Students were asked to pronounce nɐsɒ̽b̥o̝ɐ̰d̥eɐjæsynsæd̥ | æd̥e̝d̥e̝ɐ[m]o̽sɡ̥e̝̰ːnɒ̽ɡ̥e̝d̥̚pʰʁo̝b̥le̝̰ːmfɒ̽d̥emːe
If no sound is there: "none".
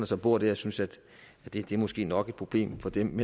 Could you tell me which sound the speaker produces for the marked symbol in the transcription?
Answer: m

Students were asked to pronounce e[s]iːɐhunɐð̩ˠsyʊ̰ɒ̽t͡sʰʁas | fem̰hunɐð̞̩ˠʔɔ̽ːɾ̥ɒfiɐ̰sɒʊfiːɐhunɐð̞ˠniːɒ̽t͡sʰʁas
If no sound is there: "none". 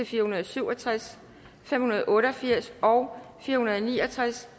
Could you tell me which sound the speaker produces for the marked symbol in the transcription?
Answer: f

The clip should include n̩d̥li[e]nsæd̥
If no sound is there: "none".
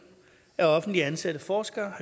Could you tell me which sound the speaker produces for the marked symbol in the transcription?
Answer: æ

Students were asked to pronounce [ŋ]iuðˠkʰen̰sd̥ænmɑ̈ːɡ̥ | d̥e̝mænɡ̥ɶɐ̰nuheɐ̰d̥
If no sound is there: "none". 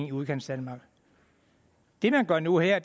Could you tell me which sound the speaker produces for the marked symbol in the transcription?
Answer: ŋ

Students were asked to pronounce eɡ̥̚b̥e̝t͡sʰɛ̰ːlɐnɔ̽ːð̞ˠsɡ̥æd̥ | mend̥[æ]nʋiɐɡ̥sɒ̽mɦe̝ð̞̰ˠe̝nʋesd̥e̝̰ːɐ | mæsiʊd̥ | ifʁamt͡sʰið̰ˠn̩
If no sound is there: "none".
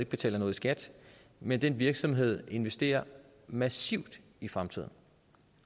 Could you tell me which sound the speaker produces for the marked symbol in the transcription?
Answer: e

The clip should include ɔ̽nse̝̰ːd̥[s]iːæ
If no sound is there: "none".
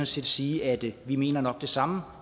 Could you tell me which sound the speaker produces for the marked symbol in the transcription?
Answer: s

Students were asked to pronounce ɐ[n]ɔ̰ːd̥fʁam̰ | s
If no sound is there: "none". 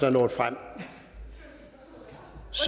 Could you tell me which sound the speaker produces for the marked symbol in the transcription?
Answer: n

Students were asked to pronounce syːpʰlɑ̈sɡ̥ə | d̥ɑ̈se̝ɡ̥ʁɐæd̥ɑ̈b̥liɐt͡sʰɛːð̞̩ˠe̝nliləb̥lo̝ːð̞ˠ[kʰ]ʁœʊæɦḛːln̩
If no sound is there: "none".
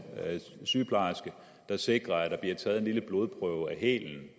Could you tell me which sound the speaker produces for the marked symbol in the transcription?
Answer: pʰ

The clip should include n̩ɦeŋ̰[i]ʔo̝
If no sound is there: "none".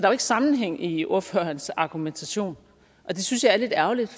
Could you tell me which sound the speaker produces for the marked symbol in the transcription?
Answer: i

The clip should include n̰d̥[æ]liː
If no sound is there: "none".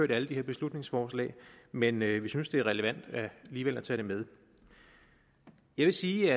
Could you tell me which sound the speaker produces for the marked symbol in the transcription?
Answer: æ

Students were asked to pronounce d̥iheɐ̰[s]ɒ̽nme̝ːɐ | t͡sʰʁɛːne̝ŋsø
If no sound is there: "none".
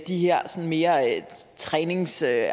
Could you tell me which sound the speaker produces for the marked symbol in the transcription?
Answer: s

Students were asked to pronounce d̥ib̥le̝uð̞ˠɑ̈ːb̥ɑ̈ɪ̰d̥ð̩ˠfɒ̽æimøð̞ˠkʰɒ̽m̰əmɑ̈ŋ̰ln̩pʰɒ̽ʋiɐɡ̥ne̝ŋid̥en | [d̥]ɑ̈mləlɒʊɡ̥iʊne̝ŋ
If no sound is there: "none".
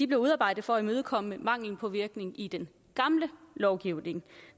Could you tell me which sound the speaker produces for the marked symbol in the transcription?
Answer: ɡ̥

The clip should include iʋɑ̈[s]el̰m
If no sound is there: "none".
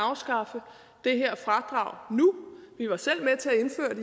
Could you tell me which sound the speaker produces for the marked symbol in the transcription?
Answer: s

